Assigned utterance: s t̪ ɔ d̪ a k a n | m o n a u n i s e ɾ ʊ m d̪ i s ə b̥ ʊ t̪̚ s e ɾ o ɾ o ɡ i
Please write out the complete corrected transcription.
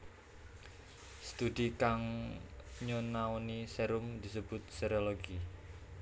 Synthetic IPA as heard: s t̪ u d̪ i k a ŋ | ɲ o n a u n i s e ɾ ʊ m d̪ i s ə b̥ ʊ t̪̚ s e ɾ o l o ɡ i